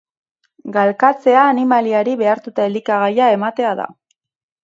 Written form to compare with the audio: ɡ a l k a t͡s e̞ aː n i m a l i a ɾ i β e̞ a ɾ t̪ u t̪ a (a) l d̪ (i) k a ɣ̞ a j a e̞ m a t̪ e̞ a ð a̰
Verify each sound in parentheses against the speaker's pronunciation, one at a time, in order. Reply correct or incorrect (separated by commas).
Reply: incorrect, correct